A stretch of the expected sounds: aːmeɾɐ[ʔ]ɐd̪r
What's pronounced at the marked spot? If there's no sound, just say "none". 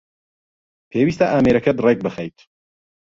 k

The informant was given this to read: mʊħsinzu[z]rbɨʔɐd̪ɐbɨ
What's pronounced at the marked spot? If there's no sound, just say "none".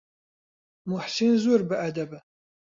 none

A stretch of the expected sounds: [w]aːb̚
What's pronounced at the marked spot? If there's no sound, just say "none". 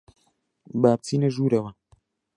b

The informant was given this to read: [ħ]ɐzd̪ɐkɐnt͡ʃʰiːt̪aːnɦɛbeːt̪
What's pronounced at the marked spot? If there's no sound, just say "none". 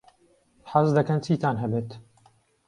ħ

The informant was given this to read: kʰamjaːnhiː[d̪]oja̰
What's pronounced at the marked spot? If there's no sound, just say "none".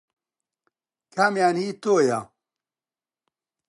t̪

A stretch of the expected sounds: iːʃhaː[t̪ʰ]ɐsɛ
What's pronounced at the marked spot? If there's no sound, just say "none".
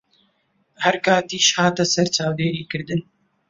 t̪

